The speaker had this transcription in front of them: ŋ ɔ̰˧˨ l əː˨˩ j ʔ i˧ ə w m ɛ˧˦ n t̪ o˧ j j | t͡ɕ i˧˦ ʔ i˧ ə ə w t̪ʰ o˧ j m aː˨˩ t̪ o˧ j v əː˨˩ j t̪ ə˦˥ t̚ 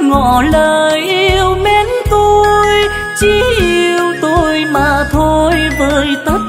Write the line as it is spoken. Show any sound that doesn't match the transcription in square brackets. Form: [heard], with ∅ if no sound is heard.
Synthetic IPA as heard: ŋ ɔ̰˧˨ l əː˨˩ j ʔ i˧ ə w m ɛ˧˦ n t̪ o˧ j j | t͡ɕ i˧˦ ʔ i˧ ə ə w [t̪] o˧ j m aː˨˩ [t̪ʰ] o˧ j v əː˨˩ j t̪ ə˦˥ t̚

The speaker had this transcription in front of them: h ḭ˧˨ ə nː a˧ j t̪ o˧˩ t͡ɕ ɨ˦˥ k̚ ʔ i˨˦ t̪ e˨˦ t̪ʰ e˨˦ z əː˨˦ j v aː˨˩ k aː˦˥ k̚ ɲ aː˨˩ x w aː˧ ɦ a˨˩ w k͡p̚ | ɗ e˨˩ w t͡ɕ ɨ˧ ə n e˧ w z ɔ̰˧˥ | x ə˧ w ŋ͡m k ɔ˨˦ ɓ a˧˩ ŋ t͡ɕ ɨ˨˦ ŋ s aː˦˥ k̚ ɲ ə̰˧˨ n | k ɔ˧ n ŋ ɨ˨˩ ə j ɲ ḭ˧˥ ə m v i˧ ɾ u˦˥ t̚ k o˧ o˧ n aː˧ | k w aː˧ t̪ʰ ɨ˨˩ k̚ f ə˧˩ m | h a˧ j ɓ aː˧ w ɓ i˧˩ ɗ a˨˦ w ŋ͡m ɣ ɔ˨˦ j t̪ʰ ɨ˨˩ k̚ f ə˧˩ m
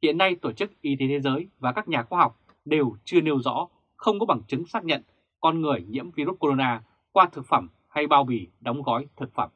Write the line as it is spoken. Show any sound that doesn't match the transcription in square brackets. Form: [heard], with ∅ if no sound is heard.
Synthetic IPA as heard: h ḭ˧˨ ə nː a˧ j t̪ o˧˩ t͡ɕ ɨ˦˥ k̚ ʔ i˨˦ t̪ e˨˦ t̪ʰ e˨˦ z əː˨˦ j v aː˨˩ k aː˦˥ k̚ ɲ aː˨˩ x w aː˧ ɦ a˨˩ w k͡p̚ | ɗ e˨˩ w t͡ɕ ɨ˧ ə n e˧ w z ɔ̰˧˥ | x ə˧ w ŋ͡m k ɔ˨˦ ɓ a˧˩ ŋ t͡ɕ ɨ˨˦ ŋ s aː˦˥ k̚ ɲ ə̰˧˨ n | k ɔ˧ n ŋ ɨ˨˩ ə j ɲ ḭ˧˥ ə m v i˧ ɾ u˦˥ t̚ k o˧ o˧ n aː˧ | k w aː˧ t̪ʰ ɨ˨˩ k̚ f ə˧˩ m | h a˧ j ɓ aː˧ w ɓ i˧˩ ɗ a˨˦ w ŋ͡m ɣ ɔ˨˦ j t̪ʰ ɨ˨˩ k̚ f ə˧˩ m

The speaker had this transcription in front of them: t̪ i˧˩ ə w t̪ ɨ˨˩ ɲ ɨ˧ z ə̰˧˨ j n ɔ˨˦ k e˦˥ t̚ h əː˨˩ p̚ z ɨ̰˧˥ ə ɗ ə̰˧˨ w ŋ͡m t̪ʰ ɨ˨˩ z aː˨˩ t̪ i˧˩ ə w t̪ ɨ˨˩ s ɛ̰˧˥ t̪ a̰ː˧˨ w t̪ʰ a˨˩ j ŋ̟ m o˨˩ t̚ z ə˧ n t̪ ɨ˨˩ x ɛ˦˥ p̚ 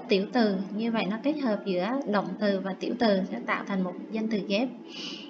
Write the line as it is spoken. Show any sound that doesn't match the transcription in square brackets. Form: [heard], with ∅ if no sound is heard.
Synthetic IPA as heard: t̪ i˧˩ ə w t̪ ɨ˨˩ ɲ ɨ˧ [v] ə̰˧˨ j n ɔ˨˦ k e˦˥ t̚ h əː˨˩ p̚ z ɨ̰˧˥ ə ɗ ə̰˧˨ w ŋ͡m [t̪] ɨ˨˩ [v] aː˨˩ t̪ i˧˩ ə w t̪ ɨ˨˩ s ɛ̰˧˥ t̪ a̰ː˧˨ w t̪ʰ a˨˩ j ŋ̟ m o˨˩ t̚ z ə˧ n t̪ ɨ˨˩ [ɣ] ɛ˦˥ p̚

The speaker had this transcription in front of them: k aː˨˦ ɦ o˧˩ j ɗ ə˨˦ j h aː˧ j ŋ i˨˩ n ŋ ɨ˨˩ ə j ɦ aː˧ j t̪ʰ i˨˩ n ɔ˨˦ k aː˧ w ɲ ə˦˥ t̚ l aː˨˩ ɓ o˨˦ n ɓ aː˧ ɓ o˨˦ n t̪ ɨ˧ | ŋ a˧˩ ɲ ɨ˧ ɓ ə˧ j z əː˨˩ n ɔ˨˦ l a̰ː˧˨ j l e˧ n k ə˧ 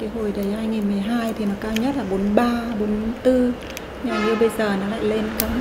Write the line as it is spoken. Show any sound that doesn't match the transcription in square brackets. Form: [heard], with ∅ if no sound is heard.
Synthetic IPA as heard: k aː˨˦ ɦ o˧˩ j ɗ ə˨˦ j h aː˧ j ŋ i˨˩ n [m] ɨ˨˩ ə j ɦ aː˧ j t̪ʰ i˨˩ n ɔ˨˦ k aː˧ w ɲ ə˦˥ t̚ l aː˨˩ ɓ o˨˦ n ɓ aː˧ ɓ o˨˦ n t̪ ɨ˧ | [ɲ] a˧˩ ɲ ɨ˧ ɓ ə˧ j z əː˨˩ n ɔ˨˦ l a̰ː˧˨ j l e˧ n k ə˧

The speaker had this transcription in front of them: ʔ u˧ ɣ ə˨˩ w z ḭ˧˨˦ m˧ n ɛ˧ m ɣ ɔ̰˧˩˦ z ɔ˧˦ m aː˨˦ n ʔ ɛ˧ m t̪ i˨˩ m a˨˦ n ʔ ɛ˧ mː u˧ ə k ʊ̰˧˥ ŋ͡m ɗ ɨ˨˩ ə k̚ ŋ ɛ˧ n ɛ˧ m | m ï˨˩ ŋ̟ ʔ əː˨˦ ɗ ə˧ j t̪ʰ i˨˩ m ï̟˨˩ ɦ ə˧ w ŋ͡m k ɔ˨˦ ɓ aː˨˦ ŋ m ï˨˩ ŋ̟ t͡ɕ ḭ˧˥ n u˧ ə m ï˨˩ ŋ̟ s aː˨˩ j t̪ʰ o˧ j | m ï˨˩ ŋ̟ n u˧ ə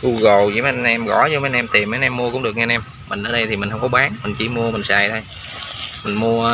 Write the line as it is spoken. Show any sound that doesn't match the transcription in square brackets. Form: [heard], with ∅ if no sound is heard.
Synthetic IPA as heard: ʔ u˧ ɣ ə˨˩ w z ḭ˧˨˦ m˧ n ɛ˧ m ɣ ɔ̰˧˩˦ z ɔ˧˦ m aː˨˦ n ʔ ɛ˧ m t̪ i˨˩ m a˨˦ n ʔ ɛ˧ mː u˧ ə k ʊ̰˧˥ ŋ͡m ɗ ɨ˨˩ ə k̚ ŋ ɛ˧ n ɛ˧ m | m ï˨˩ ŋ̟ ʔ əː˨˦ ɗ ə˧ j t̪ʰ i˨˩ m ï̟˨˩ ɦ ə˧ w ŋ͡m k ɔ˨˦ ɓ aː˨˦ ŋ m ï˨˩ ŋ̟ t͡ɕ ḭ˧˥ [m] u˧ ə m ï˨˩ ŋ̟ s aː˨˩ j t̪ʰ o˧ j | m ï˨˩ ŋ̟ [m] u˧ ə

